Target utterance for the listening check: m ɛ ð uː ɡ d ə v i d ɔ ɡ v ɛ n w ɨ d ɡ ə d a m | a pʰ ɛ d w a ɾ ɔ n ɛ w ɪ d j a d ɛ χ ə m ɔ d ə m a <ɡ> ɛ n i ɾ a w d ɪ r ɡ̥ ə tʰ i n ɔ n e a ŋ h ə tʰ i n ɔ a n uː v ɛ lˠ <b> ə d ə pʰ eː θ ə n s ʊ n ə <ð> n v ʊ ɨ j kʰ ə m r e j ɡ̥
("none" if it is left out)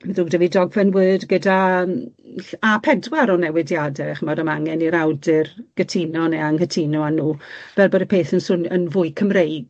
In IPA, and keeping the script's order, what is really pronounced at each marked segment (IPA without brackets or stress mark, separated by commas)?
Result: ŋ, b, none